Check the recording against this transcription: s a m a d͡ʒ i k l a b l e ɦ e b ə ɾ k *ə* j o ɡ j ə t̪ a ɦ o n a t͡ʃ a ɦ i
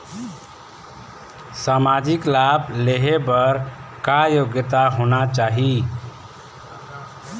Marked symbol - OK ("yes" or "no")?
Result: no